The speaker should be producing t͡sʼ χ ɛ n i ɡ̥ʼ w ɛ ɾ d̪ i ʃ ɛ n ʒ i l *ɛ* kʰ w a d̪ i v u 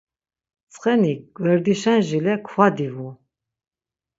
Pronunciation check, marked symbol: correct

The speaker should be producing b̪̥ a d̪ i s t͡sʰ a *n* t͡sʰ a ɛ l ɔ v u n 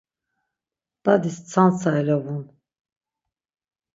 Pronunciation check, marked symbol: correct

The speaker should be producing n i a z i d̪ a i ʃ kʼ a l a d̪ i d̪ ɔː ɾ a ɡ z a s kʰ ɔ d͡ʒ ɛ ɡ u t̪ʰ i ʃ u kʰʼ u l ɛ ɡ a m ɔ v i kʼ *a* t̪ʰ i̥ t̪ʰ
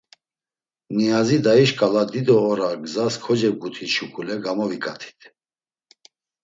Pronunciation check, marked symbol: correct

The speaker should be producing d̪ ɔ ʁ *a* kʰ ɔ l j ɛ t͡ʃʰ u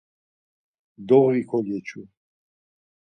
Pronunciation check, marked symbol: incorrect: i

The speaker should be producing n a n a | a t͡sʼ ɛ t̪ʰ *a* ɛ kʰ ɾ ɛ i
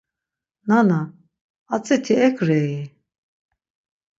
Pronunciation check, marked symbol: incorrect: i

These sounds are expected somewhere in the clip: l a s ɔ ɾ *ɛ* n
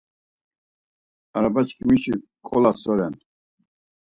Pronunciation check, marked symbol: correct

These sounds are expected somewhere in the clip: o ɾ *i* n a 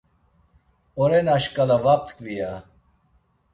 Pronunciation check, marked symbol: incorrect: e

